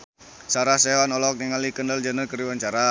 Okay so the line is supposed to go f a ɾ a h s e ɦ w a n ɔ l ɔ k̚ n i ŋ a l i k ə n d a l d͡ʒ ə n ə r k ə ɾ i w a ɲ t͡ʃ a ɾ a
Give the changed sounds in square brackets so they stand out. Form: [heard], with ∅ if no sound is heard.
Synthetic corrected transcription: [s] a ɾ a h s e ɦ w a n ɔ l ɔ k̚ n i ŋ a l i k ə n d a l d͡ʒ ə n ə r k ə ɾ i w a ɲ t͡ʃ a ɾ a